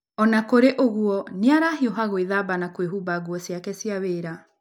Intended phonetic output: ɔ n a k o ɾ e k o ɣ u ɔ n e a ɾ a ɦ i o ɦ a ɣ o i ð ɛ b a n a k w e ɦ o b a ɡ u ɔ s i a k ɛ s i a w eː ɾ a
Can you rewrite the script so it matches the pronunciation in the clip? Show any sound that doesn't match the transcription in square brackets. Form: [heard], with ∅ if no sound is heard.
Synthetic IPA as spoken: ɔ n a k o ɾ e [ʔ] o ɣ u ɔ n e a ɾ a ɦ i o ɦ a ɣ o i ð [a] b a n a k w e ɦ [u] b a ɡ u ɔ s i a k ɛ s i a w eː ɾ a